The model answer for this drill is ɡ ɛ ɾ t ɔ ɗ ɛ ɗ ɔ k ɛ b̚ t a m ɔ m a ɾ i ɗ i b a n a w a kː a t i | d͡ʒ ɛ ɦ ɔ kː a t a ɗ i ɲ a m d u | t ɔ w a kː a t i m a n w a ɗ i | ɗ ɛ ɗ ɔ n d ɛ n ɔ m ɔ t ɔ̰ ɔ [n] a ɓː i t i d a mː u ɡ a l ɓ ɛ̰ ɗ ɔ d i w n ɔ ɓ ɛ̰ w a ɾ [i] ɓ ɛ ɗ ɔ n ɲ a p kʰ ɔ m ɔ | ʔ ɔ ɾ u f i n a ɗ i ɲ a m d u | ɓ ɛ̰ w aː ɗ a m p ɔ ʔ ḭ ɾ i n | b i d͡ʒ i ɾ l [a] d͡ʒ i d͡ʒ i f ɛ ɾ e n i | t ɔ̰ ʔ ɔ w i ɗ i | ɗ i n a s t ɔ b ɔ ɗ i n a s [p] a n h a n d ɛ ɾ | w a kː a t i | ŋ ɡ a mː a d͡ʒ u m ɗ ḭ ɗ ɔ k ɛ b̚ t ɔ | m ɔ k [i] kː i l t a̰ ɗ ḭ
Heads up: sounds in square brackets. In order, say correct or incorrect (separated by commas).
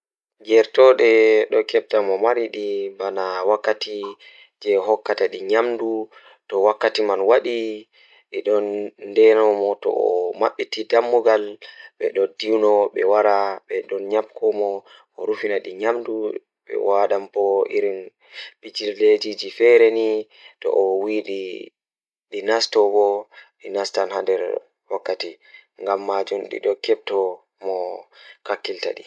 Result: incorrect, incorrect, incorrect, incorrect, incorrect